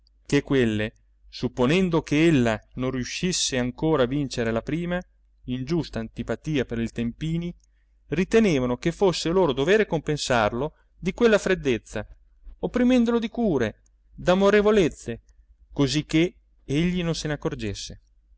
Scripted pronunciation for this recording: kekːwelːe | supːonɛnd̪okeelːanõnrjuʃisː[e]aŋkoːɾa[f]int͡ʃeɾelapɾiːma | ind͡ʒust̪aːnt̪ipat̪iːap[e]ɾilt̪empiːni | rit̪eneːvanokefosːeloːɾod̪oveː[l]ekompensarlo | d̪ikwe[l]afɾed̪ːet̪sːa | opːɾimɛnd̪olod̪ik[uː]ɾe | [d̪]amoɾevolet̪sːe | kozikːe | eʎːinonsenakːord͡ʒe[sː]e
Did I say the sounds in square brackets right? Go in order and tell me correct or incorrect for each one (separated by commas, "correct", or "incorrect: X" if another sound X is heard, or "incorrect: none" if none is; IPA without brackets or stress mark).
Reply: correct, incorrect: v, correct, incorrect: ɾ, incorrect: lː, correct, correct, correct